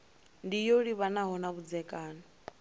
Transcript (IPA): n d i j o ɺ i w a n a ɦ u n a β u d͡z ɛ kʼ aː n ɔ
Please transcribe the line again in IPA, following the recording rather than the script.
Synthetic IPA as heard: n d i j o ɺ i β a n a ɦ ɔ n a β u d͡z ɛ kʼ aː n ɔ